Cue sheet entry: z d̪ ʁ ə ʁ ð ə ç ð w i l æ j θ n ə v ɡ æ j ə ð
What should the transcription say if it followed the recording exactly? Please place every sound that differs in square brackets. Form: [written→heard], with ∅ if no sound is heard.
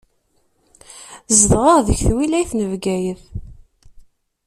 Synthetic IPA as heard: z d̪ ʁ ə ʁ ð ə ç [ð→θ] w i l æ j θ n ə v ɡ æ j ə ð